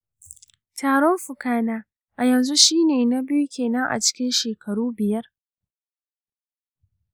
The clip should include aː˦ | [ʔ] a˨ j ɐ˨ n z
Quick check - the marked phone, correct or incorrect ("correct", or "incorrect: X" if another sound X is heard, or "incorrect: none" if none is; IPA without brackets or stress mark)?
correct